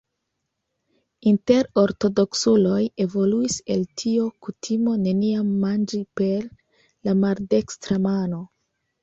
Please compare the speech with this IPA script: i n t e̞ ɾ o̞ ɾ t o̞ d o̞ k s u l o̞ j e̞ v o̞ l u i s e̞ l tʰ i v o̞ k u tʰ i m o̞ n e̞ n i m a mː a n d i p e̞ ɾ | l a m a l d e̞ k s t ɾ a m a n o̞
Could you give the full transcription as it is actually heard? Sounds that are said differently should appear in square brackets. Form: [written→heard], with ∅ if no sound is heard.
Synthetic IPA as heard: i n t e̞ ɾ o̞ ɾ t o̞ d o̞ k s u l o̞ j e̞ v o̞ l u i s e̞ l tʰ i [v→∅] o̞ k u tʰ i m o̞ n e̞ n i [m→∅] a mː a n [d→d͡ʒ] i p e̞ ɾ | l a m a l d e̞ k s t ɾ a m a n o̞